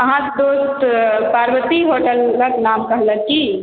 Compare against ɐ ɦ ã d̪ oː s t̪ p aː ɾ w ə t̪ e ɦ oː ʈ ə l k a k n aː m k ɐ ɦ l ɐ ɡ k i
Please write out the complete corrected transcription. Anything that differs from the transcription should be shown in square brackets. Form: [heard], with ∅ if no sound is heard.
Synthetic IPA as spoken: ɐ ɦ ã d̪ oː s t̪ p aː ɾ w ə t̪ [i] ɦ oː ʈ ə l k a k n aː m k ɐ ɦ l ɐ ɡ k i